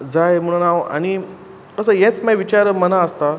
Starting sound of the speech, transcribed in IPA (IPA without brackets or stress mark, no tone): d͡z